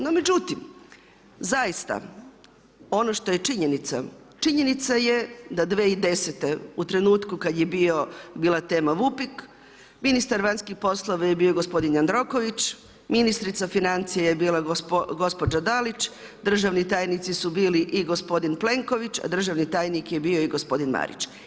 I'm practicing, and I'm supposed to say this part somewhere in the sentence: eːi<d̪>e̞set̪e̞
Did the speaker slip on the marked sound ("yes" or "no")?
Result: no